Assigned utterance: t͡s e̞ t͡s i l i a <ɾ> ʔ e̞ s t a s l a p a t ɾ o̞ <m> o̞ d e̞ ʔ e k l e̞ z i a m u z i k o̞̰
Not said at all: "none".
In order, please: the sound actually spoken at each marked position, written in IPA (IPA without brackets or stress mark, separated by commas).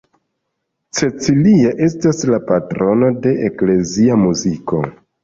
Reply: none, n